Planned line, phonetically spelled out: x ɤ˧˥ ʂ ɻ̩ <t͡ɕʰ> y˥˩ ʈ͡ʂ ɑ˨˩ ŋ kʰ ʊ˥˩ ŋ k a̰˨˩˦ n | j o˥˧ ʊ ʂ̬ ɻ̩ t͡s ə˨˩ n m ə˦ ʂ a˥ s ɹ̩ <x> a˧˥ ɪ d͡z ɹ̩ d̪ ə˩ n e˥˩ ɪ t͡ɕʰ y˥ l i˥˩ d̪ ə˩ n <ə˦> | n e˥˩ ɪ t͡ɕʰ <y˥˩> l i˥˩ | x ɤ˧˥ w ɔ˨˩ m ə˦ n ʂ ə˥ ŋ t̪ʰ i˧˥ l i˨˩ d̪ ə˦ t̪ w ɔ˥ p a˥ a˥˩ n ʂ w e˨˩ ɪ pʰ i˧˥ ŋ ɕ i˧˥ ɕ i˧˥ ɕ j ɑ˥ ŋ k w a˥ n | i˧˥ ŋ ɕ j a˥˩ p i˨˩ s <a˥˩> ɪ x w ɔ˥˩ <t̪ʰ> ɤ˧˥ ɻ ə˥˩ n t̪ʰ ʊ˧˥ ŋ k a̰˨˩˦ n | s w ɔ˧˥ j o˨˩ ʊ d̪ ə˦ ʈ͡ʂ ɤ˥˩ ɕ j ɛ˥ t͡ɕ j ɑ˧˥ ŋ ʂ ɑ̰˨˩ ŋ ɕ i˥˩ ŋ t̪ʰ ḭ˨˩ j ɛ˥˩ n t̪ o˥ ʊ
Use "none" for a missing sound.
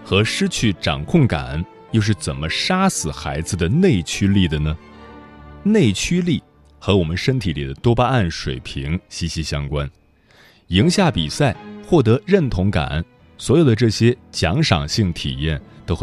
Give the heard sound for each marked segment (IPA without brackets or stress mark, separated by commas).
t͡ɕʰ, x, ə˩, y˥, a˥˩, t̪